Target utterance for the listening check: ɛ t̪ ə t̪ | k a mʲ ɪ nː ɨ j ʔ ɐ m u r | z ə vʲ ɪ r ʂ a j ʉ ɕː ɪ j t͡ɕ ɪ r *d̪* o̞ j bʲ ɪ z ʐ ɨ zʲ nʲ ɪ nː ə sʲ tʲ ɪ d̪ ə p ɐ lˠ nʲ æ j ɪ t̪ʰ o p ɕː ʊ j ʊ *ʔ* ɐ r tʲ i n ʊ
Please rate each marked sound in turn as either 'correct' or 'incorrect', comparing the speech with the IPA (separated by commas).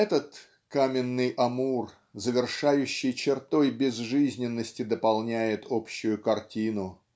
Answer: incorrect, incorrect